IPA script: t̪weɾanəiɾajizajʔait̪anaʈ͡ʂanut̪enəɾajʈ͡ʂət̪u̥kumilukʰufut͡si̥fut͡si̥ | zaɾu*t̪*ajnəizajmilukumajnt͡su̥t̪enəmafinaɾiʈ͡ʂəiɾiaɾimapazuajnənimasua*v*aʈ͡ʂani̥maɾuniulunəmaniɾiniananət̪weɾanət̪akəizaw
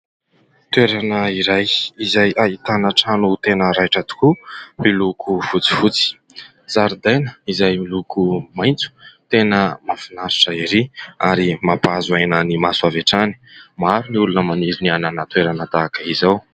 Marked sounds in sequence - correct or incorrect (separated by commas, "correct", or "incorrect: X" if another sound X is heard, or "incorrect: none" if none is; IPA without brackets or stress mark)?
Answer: incorrect: d̪, correct